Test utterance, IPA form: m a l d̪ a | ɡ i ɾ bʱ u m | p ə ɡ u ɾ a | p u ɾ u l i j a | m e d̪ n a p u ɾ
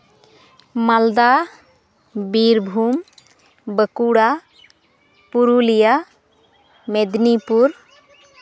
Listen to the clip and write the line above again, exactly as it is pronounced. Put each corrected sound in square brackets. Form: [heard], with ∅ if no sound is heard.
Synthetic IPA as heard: m a l d̪ a | [b] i ɾ bʱ u m | [b] ə [k] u [ɽ] a | p u ɾ u l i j a | m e d̪ n [i] p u ɾ